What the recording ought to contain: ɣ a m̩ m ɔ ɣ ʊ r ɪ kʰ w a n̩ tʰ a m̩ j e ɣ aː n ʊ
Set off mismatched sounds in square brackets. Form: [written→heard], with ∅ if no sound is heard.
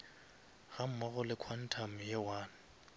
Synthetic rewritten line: ɣ a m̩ m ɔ ɣ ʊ [r→l] ɪ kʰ w a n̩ tʰ a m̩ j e [ɣ→w] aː n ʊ